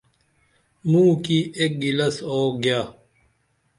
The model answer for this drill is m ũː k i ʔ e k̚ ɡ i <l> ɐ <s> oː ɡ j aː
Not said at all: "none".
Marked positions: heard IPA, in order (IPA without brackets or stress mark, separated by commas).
l, s